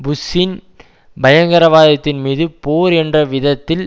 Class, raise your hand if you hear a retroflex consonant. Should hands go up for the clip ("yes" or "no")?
no